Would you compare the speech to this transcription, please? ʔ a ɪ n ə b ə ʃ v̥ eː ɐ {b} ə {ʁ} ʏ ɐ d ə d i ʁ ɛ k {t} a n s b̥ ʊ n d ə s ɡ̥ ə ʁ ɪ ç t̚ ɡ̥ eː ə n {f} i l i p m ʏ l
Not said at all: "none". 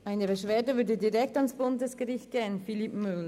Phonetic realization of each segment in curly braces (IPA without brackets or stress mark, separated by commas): d, v, t, f